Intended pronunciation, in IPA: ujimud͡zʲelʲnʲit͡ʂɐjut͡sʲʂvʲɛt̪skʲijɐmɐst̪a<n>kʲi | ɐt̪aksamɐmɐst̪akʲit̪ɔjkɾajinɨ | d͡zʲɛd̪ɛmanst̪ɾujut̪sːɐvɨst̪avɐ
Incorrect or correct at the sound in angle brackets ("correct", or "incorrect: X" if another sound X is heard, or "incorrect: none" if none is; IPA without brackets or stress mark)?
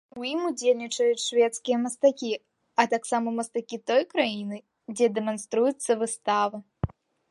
incorrect: none